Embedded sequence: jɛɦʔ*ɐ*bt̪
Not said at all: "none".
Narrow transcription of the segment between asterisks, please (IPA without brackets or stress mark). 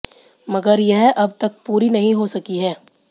ɐ